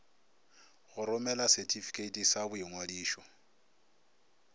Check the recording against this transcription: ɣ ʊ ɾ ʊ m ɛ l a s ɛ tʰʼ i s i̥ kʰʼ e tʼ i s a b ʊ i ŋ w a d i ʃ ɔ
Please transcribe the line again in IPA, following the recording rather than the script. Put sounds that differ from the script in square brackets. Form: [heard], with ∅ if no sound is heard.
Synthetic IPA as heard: ɣ ʊ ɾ ʊ m ɛ l a s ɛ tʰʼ i [f] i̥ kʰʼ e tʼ i s a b ʊ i ŋ w a d [iː] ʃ ɔ